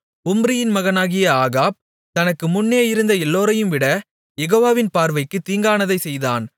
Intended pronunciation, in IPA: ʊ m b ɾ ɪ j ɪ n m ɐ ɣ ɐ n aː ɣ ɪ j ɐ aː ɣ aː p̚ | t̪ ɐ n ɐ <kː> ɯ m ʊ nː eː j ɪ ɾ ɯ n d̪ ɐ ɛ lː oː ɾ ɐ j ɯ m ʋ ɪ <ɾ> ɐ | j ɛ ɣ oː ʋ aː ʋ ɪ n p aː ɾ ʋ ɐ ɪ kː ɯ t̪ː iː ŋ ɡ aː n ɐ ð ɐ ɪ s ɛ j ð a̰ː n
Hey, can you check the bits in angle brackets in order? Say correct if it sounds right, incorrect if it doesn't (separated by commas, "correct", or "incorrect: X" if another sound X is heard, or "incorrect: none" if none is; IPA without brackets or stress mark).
correct, incorrect: ɽ